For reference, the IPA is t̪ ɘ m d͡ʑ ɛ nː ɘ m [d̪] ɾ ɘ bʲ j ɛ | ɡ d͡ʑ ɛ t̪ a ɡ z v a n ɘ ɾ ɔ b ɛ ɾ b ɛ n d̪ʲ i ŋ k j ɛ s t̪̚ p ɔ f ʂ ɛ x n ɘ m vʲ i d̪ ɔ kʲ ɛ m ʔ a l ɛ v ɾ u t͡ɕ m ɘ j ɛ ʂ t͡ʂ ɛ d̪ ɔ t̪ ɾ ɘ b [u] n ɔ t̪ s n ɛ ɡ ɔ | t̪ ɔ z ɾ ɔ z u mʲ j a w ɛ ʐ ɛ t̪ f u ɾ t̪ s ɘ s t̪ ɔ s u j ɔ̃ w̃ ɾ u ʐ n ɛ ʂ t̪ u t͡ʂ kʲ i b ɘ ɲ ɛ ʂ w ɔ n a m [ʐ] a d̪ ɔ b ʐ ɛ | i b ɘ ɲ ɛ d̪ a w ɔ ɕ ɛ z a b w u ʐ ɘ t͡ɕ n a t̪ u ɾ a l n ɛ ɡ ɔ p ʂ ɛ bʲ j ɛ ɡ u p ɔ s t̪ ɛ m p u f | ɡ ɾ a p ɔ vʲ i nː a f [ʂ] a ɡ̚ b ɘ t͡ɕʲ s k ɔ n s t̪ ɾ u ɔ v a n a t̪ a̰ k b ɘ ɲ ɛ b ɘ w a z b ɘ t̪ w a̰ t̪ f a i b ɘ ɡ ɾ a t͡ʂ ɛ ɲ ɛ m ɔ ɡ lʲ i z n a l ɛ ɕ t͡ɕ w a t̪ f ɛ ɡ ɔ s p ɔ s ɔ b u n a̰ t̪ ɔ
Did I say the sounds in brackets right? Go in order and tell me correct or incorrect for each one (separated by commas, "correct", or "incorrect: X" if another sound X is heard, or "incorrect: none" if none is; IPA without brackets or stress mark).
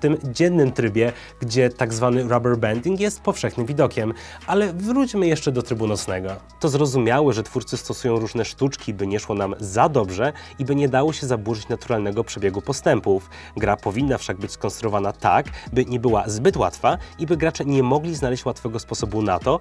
incorrect: t̪, correct, incorrect: z, correct